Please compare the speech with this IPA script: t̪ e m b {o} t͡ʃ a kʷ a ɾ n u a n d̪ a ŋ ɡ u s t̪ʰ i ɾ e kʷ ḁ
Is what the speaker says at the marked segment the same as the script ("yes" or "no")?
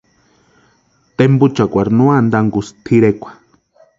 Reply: no